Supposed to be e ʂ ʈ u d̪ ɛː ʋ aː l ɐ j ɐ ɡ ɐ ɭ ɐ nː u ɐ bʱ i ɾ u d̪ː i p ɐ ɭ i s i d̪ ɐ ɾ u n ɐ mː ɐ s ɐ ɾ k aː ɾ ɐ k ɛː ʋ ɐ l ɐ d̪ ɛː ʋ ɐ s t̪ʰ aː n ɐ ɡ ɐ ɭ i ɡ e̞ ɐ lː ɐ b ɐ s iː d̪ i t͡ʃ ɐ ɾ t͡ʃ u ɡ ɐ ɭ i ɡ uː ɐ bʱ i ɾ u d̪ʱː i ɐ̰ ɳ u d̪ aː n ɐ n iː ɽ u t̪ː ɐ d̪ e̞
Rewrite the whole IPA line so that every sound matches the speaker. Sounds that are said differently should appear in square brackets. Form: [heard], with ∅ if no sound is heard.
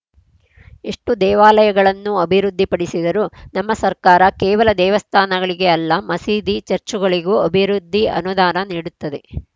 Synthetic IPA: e ʂ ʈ u d̪ ɛː ʋ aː l ɐ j ɐ ɡ ɐ ɭ ɐ nː u ɐ bʱ i ɾ u d̪ː i p ɐ [ɽ] i s i d̪ ɐ ɾ u n ɐ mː ɐ s ɐ ɾ k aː ɾ ɐ k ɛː ʋ ɐ l ɐ d̪ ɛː ʋ ɐ s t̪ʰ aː n ɐ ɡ ɐ ɭ i ɡ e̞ ɐ lː ɐ [m] ɐ s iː d̪ i t͡ʃ ɐ ɾ t͡ʃ u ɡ ɐ ɭ i ɡ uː ɐ bʱ i ɾ u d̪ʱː i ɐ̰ [n] u d̪ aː n ɐ n iː ɽ u t̪ː ɐ d̪ e̞

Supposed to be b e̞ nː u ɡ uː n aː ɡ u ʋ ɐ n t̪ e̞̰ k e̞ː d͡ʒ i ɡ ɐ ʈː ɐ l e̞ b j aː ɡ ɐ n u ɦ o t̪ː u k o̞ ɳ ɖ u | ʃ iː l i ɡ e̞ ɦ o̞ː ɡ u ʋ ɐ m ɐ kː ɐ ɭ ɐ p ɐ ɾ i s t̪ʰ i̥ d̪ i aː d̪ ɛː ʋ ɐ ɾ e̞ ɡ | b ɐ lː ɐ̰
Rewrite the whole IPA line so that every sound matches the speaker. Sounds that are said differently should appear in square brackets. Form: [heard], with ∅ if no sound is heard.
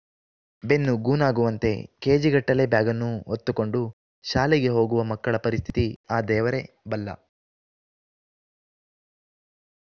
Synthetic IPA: b e̞ nː u ɡ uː n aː ɡ u ʋ ɐ n t̪ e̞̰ k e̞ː d͡ʒ i ɡ ɐ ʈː ɐ l e̞ b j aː ɡ ɐ [nː] u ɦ o t̪ː u k o̞ ɳ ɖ u | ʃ [aː] l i ɡ e̞ ɦ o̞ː ɡ u ʋ ɐ m ɐ kː ɐ ɭ ɐ p ɐ ɾ i s t̪ʰ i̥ [t̪] i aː d̪ ɛː ʋ ɐ ɾ e̞ [∅] | b ɐ lː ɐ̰

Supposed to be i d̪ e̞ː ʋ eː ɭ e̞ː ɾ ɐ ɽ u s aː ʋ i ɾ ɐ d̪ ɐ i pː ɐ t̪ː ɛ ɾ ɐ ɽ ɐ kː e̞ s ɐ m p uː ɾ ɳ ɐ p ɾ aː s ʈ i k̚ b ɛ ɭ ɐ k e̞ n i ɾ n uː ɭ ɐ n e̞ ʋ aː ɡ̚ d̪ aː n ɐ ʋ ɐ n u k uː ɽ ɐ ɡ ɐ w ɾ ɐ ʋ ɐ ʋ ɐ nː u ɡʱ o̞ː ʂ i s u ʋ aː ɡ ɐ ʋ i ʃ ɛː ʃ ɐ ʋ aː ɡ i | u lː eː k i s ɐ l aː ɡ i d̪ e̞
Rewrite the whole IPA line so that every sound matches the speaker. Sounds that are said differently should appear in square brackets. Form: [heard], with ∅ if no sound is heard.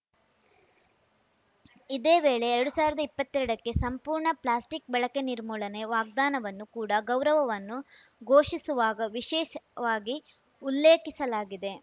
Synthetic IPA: i d̪ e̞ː ʋ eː ɭ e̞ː ɾ ɐ ɽ u s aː ʋ i ɾ ɐ d̪ ɐ i pː ɐ t̪ː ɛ ɾ ɐ ɽ ɐ kː e̞ s ɐ m p uː ɾ ɳ ɐ p [l] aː s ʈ i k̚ b ɛ ɭ ɐ k e̞ n i ɾ [m] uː ɭ ɐ n e̞ ʋ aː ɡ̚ d̪ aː n ɐ ʋ ɐ [nː] u k uː ɽ ɐ ɡ ɐ w ɾ ɐ ʋ ɐ ʋ ɐ nː u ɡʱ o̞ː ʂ i s u ʋ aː ɡ ɐ ʋ i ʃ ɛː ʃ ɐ ʋ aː ɡ i | u lː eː k i s ɐ l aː ɡ i d̪ e̞

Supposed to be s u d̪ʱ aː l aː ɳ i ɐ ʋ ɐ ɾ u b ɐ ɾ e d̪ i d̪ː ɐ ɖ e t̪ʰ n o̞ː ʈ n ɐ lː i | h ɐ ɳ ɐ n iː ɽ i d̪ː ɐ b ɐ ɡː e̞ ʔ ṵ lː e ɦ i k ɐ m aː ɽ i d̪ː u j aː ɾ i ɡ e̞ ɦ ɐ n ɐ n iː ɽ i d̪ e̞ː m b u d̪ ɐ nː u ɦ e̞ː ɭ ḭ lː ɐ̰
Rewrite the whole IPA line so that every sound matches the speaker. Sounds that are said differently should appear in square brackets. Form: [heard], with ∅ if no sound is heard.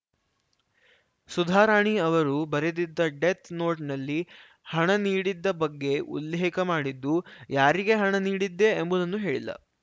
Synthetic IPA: s u d̪ʱ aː [ɾ] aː ɳ i ɐ ʋ ɐ ɾ u b ɐ ɾ e d̪ i d̪ː ɐ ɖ e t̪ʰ n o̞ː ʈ n ɐ lː i | h ɐ ɳ ɐ n iː ɽ i d̪ː ɐ b ɐ ɡː e̞ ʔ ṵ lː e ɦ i k ɐ m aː ɽ i d̪ː u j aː ɾ i ɡ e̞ ɦ ɐ [ɳ] ɐ n iː ɽ i [d̪ː] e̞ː m b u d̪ ɐ nː u ɦ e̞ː ɭ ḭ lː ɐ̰

